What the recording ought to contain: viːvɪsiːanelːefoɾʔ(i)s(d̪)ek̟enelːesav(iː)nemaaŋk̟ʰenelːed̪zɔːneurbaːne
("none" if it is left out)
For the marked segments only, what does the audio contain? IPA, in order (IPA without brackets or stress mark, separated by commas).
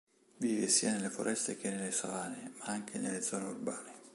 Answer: ɛ, t̪, aː